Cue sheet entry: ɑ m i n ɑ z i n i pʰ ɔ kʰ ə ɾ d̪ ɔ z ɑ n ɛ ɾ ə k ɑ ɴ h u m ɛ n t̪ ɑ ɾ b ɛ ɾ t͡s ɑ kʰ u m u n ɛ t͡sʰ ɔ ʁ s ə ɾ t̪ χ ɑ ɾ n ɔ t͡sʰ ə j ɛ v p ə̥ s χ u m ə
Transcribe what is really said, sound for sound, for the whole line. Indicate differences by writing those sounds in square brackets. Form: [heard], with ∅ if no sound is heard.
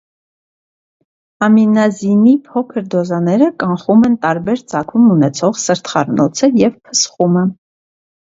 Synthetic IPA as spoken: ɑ m i n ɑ z i n i pʰ ɔ kʰ ə ɾ d̪ ɔ z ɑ n ɛ ɾ ə k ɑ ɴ [χ] u m ɛ n t̪ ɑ ɾ b ɛ ɾ t͡s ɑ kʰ u m u n ɛ t͡sʰ ɔ ʁ s ə ɾ t̪ χ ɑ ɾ n ɔ t͡sʰ ə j ɛ v [pʰ] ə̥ s χ u m ə